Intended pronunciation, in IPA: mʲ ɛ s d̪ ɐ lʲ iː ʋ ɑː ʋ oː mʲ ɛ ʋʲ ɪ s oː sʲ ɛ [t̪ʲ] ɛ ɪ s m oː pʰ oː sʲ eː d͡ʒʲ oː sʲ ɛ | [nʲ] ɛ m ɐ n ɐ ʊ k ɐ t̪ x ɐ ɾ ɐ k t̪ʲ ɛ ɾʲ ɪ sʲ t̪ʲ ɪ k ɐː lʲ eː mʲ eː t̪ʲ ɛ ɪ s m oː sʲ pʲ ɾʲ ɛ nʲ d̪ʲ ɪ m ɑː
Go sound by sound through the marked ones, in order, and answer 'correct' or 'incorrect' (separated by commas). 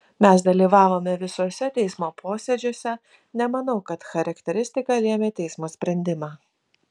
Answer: correct, correct